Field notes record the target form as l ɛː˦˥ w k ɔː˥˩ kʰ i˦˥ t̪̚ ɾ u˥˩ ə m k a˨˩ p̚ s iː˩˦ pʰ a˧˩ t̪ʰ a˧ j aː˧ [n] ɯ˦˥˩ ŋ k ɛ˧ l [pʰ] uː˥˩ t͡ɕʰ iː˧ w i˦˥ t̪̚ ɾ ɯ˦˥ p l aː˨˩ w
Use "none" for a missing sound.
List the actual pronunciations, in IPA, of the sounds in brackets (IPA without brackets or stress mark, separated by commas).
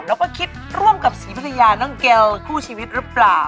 n, kʰ